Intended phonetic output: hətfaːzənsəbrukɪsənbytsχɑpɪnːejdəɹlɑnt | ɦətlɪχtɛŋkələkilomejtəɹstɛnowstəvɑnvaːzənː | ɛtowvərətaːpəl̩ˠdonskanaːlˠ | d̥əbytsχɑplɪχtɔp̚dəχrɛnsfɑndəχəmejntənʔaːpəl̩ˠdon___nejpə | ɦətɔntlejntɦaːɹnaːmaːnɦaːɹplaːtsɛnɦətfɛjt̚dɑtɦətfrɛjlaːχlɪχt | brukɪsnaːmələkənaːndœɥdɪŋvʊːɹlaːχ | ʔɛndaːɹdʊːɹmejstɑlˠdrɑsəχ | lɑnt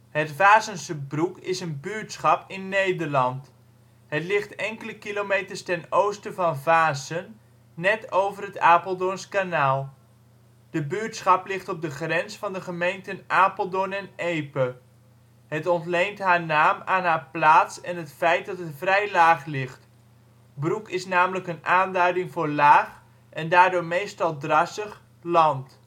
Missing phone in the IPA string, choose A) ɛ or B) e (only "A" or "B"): A